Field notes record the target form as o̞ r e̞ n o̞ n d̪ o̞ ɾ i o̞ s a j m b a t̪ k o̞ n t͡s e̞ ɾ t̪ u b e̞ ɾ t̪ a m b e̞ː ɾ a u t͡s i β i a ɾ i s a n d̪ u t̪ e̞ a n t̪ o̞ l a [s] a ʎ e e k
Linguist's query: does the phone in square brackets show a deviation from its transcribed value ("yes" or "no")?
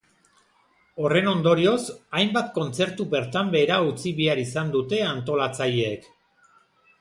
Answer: yes